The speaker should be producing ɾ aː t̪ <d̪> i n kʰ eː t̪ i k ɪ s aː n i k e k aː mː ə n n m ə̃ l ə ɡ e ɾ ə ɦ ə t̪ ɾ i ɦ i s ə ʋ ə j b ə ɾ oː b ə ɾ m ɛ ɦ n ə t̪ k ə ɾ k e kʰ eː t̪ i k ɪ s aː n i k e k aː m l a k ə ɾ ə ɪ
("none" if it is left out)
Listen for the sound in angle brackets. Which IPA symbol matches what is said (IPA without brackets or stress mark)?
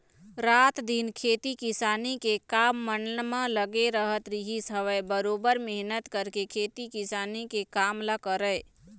d̪